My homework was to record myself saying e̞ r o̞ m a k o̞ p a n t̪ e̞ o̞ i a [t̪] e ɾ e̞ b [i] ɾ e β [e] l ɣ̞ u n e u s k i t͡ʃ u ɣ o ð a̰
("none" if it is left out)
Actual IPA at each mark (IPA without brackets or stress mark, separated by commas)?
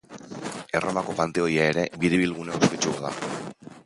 none, i, i